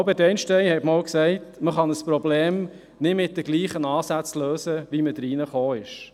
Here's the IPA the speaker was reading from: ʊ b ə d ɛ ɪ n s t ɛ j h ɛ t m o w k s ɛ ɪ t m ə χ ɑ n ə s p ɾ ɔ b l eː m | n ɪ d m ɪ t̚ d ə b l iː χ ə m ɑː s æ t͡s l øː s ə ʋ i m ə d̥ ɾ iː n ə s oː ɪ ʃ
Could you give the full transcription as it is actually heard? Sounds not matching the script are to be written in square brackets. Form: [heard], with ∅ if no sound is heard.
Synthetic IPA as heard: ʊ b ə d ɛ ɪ n [ʃ] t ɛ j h ɛ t m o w k s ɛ ɪ t m ə χ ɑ n ə s p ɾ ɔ b l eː m | n ɪ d m ɪ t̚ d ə [ɡ] l iː χ ə [n] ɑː s æ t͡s l øː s ə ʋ i m ə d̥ ɾ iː n ə [χ] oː ɪ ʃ

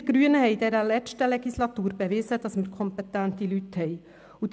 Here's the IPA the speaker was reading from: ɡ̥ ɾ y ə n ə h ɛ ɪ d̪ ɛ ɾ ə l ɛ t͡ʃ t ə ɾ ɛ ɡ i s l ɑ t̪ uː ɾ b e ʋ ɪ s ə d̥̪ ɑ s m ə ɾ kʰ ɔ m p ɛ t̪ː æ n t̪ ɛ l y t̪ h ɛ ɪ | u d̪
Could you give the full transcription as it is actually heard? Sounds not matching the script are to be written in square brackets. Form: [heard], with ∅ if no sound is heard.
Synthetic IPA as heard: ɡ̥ ɾ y ə n ə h ɛ ɪ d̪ ɛ ɾ ə l ɛ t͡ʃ t ə [l] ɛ ɡ i s l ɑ t̪ uː ɾ b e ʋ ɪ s ə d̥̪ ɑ s m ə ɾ kʰ ɔ m p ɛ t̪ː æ n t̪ [i] l y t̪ h ɛ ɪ | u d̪

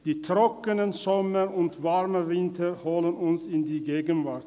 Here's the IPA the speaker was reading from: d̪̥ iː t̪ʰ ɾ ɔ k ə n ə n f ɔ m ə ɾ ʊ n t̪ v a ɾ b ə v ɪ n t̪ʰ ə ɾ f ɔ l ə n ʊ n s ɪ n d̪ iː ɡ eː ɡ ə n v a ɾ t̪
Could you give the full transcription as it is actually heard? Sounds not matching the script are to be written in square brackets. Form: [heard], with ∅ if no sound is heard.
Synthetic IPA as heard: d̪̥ iː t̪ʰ ɾ ɔ k ə n ə n [s] ɔ m ə ɾ ʊ n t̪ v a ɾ [m] ə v ɪ n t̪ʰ ə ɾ [h] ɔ l ə n ʊ n s ɪ n d̪ iː ɡ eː ɡ ə n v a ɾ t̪

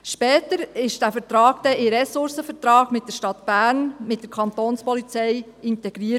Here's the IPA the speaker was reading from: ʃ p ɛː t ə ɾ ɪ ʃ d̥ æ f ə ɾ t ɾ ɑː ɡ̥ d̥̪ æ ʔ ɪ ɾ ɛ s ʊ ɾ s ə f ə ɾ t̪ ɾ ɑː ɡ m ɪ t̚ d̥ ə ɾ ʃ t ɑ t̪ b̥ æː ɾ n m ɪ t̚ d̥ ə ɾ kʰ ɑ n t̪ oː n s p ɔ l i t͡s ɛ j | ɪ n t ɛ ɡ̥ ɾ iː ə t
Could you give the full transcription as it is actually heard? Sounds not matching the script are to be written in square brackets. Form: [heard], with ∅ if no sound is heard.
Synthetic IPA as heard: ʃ p ɛː t ə ɾ ɪ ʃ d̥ æ f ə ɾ t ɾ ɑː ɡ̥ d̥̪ [ɛ] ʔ ɪ ɾ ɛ s ʊ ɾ s ə f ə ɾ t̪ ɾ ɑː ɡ m ɪ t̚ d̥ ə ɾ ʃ t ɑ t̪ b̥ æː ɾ n m ɪ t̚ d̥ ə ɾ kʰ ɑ n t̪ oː n s p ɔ l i t͡s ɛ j | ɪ n t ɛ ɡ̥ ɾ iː ə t

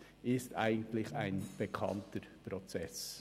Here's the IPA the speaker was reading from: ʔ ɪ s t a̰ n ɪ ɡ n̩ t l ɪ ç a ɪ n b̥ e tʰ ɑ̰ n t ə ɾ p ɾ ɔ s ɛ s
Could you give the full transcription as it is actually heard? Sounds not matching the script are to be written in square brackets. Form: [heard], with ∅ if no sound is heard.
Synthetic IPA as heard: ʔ ɪ s t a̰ [∅] ɪ ɡ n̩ t l ɪ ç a ɪ n b̥ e [kʰ] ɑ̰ n t ə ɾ p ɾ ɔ [t͡s] ɛ s

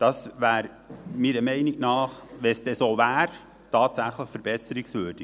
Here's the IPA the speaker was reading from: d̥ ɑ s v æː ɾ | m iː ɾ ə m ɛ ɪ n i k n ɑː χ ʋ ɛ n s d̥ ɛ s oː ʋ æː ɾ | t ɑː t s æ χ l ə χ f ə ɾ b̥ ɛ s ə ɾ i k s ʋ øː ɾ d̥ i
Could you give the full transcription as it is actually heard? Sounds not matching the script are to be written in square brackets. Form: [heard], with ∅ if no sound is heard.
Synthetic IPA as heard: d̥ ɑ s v æː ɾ | m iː ɾ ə m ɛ ɪ n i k n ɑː χ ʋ ɛ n s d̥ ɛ s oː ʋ æː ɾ | t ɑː t s æ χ l ə χ f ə ɾ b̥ ɛ s ə ɾ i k s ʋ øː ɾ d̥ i

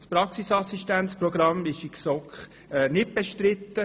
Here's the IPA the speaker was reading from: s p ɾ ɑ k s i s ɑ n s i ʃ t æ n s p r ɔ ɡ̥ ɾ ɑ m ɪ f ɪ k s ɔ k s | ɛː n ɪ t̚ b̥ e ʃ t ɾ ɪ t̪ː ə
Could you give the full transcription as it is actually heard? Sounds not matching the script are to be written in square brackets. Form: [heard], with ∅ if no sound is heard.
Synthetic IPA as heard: s p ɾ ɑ k s i s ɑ [∅] s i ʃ t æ n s p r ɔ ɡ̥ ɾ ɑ m ɪ [ʃ] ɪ k s ɔ k [χ] | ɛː n ɪ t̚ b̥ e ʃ t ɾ ɪ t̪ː ə

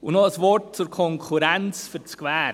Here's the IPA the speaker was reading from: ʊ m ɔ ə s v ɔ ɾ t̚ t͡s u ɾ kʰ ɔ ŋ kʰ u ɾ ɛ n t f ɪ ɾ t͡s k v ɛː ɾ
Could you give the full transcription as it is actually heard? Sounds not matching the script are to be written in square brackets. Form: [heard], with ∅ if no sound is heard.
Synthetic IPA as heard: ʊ [n] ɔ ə s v ɔ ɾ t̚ t͡s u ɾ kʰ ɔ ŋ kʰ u ɾ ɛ n [t͡s] f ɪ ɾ t͡s k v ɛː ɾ

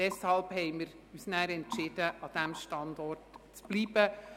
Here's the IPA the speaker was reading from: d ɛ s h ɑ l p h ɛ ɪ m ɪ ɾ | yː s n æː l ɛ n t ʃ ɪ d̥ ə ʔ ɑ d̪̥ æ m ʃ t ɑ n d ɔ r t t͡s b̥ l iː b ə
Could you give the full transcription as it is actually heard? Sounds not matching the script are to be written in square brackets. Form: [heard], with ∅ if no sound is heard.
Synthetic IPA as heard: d ɛ s h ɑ l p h ɛ ɪ m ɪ ɾ | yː s n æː [ɾ] ɛ n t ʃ ɪ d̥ ə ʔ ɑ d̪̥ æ m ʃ t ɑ n d ɔ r t t͡s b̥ l iː b ə

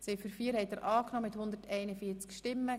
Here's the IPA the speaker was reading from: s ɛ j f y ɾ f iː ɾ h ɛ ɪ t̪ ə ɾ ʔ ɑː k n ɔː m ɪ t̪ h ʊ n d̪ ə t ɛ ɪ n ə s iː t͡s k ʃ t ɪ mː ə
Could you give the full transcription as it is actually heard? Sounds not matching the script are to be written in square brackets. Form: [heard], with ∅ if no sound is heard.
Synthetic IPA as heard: s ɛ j f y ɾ f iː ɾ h ɛ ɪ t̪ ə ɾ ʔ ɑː k n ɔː m ɪ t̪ h ʊ n d̪ ə t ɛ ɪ n ə [f] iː t͡s k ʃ t ɪ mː ə

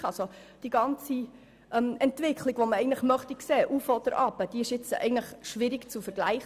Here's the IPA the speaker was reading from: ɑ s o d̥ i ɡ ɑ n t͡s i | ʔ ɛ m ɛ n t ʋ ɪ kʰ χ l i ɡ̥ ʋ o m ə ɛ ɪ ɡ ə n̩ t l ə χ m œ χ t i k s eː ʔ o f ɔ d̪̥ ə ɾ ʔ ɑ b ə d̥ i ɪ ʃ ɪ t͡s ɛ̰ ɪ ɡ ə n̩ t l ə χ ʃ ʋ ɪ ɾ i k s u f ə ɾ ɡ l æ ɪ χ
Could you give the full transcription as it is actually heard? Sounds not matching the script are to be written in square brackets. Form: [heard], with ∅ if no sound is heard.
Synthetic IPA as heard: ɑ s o d̥ i ɡ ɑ n t͡s i | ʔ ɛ m ɛ n t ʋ ɪ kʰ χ l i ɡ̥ ʋ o m ə ɛ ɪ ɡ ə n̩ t l ə χ m œ χ t i k s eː ʔ [u] f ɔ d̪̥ ə ɾ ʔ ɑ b ə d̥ i ɪ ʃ ɪ t͡s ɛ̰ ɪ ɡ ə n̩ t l ə χ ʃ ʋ ɪ ɾ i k [t͡s] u f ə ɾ ɡ l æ ɪ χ

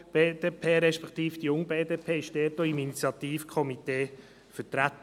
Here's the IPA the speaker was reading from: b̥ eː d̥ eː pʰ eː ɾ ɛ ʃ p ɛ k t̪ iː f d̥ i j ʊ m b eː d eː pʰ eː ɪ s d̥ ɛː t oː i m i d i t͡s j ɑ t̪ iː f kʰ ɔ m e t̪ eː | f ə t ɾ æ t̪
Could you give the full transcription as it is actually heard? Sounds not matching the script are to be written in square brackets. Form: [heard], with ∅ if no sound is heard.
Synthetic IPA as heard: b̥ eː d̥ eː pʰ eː ɾ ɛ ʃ p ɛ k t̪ iː f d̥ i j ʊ [ŋ] b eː d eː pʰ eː ɪ [ʃ] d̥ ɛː t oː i m i [n] i t͡s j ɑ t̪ iː f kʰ ɔ m [i] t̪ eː | f ə t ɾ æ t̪

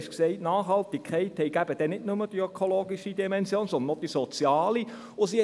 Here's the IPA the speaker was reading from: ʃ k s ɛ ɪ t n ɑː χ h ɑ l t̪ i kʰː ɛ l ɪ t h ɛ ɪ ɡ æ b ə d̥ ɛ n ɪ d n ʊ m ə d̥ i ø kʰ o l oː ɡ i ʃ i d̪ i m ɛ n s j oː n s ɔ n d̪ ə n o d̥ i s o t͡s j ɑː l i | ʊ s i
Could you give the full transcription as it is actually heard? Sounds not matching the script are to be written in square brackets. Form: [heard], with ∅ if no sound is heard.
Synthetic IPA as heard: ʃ k s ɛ ɪ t n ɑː χ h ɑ l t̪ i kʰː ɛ [∅] ɪ t h ɛ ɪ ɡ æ b ə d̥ ɛ n ɪ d n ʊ m ə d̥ i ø kʰ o l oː ɡ i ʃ i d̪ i m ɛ n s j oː n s ɔ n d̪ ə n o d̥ i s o t͡s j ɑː l i | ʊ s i

